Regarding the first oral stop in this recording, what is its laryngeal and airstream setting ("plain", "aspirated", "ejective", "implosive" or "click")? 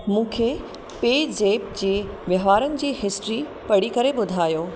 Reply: aspirated